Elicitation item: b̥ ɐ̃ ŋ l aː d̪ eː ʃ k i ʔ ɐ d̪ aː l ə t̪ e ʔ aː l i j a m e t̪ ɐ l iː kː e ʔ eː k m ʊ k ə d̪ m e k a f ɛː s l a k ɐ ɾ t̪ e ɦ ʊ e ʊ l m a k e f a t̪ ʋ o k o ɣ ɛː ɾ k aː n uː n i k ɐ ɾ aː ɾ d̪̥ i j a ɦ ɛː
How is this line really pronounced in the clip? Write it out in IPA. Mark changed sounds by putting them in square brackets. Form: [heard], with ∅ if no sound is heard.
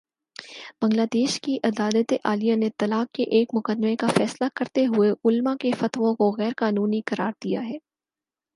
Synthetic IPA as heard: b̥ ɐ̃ ŋ l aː d̪ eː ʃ k i ʔ ɐ d̪ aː l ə t̪ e ʔ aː l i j a [n] e t̪ ɐ l [aː] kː e ʔ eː k m ʊ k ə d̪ m e k a f ɛː s l a k ɐ ɾ t̪ e ɦ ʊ e ʊ l m a k e f [ɐ] t̪ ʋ [õ] k o ɣ ɛː ɾ k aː n uː n i k ɐ ɾ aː ɾ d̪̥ i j a ɦ ɛː